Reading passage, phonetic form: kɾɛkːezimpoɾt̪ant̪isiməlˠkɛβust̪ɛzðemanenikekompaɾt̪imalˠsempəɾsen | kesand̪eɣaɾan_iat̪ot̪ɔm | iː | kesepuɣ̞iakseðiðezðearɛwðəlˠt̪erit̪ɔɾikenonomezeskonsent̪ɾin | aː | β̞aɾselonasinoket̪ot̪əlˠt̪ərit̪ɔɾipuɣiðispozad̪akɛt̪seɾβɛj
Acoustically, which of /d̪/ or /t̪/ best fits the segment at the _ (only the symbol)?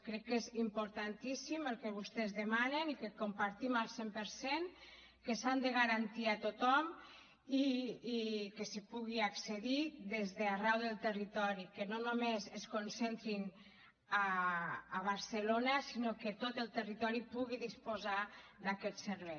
t̪